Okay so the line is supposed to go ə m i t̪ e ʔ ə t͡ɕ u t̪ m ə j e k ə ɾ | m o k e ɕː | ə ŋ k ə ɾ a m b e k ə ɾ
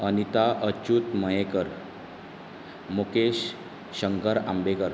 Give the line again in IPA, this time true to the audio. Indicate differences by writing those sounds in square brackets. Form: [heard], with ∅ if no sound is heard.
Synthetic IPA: ə [n] i t̪ [a] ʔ ə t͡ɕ u t̪ m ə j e k ə ɾ | m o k e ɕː | ə ŋ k ə ɾ a m b e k ə ɾ